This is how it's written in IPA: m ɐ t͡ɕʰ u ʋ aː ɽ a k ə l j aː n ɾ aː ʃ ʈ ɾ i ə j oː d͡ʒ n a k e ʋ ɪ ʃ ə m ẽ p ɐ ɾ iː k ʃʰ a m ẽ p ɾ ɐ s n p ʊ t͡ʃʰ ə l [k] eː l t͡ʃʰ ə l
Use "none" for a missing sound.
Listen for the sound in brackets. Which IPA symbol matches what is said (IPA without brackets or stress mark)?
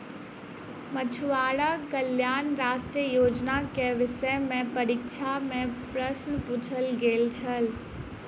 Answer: ɡ